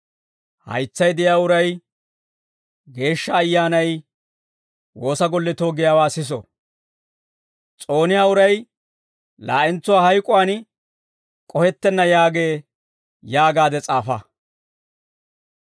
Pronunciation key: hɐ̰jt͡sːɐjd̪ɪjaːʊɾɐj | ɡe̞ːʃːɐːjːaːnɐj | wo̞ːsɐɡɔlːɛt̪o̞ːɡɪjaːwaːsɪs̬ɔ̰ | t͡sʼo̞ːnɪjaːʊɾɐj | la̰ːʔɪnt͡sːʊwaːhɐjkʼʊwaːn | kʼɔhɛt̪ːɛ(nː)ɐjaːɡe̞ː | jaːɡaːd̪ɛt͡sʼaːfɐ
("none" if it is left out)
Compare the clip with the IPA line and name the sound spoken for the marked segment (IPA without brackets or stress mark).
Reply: nː